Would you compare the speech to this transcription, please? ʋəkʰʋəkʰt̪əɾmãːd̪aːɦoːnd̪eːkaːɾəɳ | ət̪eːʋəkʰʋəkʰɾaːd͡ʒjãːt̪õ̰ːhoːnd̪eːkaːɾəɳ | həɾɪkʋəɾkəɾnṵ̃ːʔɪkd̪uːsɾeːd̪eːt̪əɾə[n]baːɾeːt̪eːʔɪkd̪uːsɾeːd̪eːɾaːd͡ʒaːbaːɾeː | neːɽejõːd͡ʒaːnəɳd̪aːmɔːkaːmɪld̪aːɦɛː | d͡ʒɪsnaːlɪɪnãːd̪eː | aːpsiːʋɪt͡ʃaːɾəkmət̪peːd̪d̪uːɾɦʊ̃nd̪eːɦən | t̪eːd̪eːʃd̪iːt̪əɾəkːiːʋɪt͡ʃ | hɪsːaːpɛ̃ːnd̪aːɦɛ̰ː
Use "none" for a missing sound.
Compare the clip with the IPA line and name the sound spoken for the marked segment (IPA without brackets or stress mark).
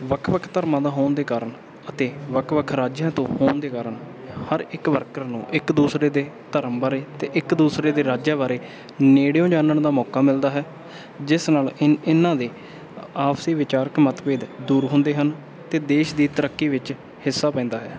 m